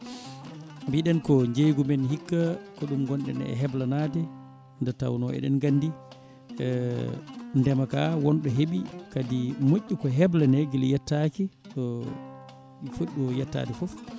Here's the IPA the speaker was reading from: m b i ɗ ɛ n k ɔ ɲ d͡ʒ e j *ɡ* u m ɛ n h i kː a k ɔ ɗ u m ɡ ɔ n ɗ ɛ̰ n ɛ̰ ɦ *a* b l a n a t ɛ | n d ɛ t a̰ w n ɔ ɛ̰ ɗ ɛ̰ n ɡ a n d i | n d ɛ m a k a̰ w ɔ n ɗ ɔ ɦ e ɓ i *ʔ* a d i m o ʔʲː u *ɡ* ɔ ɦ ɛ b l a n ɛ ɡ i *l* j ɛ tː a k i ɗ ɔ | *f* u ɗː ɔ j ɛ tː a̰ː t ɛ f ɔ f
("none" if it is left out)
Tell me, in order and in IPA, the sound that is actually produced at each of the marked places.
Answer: ɡ, ɛ, k, k, l, f

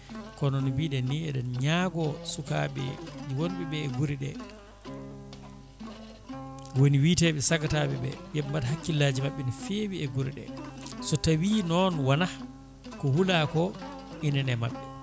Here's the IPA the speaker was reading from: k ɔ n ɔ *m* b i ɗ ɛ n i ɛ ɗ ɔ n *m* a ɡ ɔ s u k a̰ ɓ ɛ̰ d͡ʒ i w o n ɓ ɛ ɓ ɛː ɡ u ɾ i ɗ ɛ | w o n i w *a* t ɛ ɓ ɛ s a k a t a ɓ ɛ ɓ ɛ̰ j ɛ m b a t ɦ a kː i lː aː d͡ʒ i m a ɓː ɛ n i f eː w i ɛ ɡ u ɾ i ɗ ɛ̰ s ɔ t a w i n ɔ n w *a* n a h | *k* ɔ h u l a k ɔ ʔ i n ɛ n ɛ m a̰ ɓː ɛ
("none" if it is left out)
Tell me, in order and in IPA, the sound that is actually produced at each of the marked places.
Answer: n, ɲ, i, a, k

